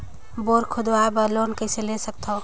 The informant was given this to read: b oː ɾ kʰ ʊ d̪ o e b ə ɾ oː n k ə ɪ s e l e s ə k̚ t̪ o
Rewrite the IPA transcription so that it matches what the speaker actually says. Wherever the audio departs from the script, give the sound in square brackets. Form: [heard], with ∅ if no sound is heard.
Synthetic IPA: b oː ɾ kʰ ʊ d̪ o [a] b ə [l] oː n k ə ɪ s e l e s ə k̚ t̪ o